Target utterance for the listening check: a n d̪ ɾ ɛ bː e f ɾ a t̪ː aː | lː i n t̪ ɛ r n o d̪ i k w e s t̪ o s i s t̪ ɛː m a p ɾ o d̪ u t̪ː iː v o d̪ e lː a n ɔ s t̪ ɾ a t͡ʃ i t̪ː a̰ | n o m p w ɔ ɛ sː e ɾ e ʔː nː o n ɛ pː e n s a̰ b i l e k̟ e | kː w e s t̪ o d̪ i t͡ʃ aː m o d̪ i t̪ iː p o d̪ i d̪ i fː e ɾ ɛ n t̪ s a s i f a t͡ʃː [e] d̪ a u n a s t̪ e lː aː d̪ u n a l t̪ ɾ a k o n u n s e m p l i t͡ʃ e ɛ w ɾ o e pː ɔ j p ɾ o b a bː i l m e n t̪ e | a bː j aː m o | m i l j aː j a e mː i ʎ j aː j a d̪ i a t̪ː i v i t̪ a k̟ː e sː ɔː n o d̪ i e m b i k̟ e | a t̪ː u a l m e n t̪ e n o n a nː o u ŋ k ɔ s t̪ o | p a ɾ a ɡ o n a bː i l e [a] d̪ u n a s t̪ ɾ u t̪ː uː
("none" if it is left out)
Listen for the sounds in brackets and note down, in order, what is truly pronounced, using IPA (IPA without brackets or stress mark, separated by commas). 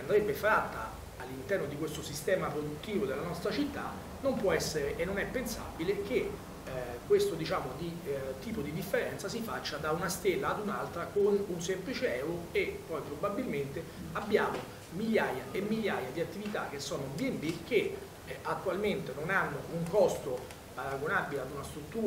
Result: a, a